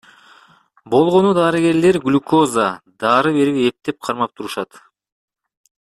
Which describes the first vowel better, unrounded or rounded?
rounded